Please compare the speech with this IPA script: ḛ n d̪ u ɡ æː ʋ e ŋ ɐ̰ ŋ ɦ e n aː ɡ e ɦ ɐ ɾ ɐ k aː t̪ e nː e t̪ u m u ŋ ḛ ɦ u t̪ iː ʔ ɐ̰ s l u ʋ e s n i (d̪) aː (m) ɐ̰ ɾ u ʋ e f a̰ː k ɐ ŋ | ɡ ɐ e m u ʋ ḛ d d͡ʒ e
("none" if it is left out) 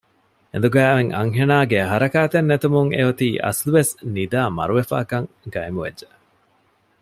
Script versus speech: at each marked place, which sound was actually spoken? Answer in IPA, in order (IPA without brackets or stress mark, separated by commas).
d̪, m